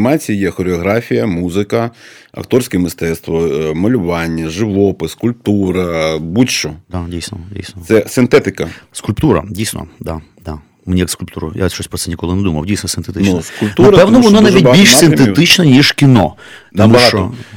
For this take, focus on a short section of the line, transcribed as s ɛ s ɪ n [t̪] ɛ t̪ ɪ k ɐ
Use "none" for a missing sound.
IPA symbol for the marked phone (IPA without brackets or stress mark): t̪